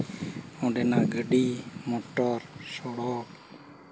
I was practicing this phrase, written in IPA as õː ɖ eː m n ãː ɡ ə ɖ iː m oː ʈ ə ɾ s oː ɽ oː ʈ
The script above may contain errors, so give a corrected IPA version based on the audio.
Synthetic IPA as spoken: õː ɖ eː n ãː ɡ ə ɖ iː m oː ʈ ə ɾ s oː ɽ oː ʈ